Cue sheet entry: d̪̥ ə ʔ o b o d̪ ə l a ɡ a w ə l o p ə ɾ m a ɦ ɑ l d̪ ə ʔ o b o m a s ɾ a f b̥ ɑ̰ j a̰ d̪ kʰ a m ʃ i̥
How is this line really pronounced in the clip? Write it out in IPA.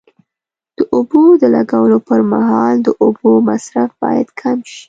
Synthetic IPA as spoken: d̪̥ ə ʔ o b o d̪ ə l a ɡ a w ə l o p ə ɾ m a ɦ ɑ l d̪ ə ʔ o b o m a s ɾ a f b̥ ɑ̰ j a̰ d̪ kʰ a m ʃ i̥